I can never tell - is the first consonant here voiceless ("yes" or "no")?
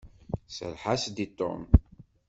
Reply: yes